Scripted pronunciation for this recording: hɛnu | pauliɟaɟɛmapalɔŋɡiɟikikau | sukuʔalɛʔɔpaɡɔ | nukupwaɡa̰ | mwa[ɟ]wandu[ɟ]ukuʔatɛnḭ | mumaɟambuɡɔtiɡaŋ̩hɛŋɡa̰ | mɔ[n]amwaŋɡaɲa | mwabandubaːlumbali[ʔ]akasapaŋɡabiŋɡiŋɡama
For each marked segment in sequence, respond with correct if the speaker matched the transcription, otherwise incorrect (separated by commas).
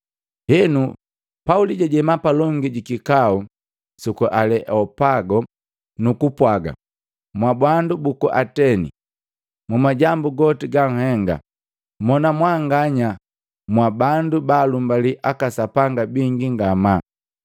incorrect, incorrect, correct, correct